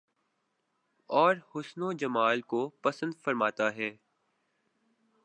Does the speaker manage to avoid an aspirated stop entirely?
yes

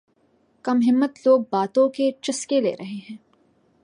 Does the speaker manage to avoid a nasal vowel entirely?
no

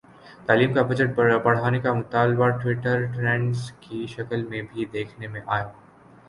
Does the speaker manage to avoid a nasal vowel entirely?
no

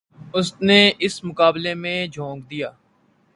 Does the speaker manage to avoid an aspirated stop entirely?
yes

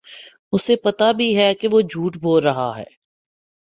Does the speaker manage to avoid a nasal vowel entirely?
yes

